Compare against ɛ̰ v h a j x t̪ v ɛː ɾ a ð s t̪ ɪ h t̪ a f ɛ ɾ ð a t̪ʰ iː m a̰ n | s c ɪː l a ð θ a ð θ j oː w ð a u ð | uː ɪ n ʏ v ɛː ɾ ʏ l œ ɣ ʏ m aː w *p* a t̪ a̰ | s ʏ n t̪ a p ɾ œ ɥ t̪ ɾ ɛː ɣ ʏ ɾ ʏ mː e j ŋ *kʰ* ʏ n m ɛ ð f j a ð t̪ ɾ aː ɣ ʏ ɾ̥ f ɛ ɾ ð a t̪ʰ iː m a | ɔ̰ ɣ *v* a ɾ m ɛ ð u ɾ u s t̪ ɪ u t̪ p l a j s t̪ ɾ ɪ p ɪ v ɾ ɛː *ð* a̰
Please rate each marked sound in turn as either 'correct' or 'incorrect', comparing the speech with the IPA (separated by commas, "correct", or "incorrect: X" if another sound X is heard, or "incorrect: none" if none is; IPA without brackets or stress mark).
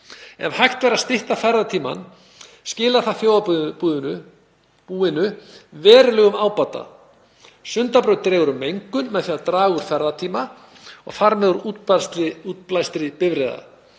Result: correct, incorrect: k, incorrect: f, correct